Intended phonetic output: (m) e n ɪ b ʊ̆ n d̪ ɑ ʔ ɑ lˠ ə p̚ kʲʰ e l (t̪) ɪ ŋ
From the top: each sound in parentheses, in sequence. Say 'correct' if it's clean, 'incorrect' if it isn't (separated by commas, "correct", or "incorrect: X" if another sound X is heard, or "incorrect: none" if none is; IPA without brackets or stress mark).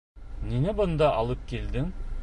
incorrect: n, incorrect: d̪